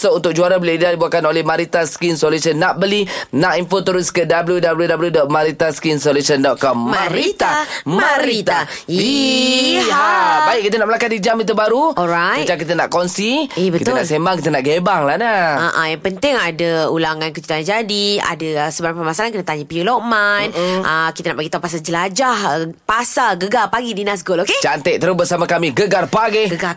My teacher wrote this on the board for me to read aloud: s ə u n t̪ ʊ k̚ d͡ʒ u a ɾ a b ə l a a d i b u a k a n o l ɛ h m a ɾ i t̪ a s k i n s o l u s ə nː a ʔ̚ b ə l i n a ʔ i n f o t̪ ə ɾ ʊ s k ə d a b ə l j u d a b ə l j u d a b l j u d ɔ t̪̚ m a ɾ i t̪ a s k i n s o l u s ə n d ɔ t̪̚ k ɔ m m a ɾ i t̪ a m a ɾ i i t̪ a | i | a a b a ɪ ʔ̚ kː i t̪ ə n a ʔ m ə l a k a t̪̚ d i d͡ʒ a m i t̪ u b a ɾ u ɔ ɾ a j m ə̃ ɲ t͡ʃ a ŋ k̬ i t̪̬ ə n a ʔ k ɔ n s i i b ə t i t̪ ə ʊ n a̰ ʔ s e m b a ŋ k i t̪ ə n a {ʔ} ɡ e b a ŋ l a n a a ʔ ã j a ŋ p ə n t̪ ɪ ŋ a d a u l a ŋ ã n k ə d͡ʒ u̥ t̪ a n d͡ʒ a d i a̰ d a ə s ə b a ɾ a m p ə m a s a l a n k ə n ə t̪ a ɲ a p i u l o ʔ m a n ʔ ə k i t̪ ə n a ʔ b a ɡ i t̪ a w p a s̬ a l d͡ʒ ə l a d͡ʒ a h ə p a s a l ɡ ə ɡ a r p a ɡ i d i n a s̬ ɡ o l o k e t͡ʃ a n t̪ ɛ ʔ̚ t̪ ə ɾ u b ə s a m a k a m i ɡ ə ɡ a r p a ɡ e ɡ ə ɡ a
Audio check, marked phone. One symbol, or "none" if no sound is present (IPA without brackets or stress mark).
ʔ